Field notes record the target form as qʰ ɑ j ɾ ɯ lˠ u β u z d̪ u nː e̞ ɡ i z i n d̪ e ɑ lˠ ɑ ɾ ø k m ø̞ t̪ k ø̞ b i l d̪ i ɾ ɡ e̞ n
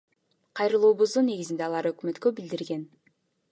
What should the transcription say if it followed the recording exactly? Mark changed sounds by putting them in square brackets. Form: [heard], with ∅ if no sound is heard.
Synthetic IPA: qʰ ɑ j ɾ ɯ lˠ [uː] β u z d̪ u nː e̞ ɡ i z i n d̪ e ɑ lˠ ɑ ɾ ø k m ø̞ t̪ k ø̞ b i l d̪ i ɾ ɡ e̞ n